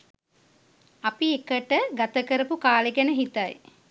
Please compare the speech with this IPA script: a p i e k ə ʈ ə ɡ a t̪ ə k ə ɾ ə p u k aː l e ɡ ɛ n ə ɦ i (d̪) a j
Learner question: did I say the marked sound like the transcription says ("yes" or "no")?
no